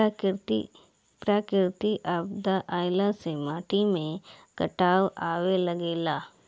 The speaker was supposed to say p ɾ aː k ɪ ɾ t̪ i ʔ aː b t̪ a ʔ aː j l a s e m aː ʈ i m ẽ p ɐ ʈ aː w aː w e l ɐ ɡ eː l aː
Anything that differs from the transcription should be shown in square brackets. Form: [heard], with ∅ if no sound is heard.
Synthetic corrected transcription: p ɾ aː k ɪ ɾ t̪ i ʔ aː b [d̪] a ʔ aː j l a s e m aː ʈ i m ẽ [k] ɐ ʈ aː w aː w e l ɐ ɡ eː l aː